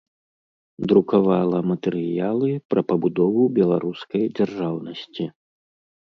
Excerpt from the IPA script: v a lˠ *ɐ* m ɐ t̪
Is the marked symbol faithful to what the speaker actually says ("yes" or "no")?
yes